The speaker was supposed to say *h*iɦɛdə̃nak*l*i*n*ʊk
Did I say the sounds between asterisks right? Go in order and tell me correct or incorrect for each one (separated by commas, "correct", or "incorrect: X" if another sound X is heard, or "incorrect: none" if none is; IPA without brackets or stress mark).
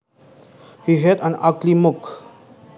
correct, correct, incorrect: m